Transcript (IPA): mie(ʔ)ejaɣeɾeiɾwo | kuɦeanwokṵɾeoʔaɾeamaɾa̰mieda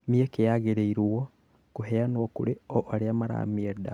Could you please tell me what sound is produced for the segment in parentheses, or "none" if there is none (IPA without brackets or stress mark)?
k